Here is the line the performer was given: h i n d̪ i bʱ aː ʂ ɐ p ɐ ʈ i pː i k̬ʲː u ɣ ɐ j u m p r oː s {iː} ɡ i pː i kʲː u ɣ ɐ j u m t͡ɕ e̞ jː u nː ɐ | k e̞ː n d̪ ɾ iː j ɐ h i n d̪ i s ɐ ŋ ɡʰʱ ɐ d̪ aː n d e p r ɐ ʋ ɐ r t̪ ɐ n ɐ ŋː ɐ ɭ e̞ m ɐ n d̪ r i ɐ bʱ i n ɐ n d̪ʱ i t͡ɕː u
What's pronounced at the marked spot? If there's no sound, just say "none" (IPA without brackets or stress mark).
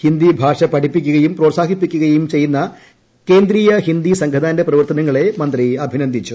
aː